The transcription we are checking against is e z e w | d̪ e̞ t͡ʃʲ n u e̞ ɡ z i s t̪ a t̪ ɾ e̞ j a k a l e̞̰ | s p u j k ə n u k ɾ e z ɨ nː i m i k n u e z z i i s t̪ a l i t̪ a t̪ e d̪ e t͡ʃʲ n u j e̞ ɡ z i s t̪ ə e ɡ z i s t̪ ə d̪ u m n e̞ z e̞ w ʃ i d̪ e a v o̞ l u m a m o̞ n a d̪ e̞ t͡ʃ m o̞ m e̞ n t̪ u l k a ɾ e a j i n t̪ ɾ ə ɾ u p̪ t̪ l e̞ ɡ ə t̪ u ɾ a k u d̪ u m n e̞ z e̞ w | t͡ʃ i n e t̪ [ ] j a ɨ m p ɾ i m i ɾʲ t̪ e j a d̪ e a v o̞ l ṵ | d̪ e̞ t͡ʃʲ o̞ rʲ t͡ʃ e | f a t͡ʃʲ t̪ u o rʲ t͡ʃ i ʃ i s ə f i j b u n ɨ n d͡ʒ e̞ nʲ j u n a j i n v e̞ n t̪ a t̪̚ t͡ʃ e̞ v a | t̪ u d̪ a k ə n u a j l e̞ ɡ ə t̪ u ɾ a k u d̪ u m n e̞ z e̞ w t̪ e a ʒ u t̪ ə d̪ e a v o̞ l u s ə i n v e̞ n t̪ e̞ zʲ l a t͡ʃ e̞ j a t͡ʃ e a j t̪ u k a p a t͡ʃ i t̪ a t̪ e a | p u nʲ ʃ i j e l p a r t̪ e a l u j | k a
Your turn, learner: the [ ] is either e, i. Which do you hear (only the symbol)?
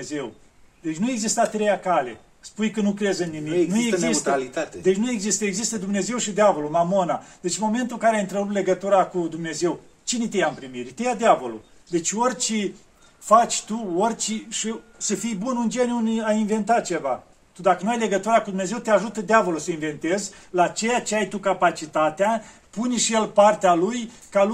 e